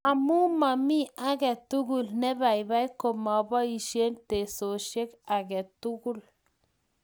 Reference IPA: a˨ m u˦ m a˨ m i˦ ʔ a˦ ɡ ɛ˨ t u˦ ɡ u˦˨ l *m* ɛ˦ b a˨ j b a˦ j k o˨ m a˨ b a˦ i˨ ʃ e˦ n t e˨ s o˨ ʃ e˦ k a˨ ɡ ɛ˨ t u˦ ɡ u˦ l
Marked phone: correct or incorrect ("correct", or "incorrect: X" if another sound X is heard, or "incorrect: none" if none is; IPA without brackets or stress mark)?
incorrect: n